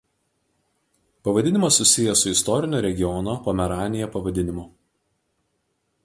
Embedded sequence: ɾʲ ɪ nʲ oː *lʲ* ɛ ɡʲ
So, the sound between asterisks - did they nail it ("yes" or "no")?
no